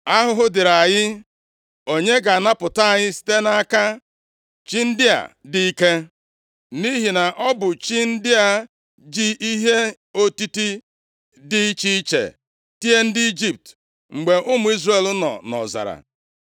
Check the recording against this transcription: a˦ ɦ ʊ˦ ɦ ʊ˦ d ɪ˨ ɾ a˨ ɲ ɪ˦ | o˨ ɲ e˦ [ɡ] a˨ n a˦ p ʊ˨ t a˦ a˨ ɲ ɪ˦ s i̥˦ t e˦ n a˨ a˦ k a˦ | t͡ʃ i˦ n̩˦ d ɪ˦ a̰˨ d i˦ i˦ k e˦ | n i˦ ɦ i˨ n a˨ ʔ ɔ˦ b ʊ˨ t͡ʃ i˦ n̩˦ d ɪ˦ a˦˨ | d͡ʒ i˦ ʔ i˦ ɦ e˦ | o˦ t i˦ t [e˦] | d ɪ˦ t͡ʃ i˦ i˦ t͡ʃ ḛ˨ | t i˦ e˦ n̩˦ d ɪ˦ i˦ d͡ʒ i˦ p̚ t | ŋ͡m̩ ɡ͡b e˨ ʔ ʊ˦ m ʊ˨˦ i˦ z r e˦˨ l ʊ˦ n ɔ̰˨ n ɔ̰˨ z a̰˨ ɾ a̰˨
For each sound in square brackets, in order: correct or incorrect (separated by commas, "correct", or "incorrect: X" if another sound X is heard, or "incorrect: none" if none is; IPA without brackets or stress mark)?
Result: correct, incorrect: i˦